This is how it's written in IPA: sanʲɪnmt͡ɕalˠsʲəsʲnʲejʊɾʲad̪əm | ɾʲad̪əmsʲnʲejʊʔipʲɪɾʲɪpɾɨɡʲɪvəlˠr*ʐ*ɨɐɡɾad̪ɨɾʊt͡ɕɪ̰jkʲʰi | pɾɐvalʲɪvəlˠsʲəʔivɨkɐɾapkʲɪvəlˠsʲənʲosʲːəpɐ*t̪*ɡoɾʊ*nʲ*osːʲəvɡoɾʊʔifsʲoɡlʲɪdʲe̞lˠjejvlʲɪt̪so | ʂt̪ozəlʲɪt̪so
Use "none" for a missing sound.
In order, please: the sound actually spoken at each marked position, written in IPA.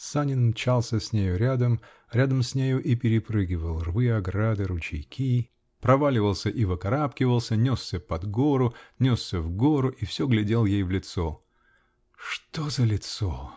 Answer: v, d̪, nʲ

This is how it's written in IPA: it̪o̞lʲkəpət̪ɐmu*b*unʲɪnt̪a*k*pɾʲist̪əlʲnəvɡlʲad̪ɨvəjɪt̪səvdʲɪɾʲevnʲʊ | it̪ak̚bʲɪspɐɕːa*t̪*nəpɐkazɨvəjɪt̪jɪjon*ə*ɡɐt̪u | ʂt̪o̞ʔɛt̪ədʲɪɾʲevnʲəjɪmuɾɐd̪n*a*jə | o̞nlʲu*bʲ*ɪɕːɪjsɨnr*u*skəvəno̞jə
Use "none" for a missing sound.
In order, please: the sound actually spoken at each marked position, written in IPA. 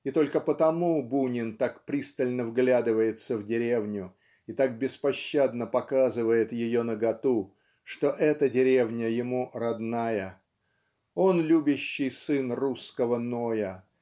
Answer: b, k, d̪, ə, a, bʲ, u

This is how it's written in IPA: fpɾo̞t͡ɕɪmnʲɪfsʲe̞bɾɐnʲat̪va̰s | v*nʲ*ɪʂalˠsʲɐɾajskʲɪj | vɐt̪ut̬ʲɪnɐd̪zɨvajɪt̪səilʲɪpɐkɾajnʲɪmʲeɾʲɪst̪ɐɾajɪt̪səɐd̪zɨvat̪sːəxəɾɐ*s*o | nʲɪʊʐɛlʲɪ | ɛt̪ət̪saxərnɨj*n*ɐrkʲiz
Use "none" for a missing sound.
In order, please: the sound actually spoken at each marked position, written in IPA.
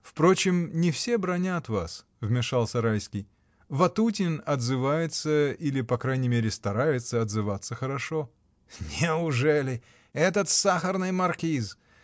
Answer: mʲ, ʂ, m

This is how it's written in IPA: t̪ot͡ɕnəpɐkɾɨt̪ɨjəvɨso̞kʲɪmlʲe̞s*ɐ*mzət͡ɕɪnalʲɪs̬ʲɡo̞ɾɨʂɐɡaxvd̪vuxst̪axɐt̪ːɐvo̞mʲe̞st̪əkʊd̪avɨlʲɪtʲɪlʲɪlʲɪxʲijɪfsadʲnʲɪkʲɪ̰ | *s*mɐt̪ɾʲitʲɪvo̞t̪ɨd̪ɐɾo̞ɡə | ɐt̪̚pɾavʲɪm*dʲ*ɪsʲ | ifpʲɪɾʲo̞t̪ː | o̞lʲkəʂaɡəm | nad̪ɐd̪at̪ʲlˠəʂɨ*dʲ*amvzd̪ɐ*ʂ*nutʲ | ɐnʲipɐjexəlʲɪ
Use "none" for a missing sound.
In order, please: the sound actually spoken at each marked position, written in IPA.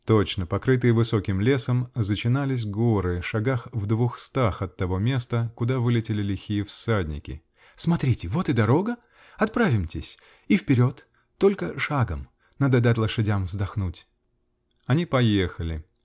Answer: ə, s, tʲ, dʲ, x

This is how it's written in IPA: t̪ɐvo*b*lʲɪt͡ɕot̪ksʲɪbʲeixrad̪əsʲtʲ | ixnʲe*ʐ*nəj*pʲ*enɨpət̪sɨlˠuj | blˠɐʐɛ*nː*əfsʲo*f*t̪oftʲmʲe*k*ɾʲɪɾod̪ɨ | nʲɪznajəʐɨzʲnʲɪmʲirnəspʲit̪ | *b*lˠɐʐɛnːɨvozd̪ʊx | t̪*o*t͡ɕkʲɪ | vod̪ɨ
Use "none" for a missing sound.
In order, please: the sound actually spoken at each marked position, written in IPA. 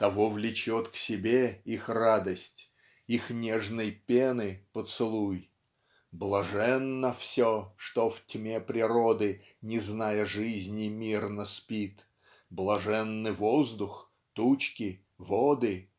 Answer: v, ʐ, pʲ, nː, ʂ, p, b, u

